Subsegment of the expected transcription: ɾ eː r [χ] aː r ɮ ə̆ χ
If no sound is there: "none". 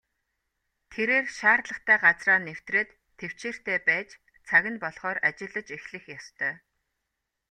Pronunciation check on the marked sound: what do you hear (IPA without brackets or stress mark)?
ʃ